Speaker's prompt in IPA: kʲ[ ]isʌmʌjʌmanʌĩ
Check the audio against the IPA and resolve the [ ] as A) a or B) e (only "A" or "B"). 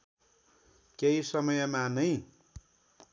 B